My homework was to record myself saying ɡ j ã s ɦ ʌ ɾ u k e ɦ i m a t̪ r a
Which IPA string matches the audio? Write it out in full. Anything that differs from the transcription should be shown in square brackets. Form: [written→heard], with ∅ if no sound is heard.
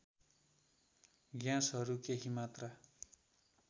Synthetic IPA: ɡ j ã s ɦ ʌ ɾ u k e ɦ i m a t̪ r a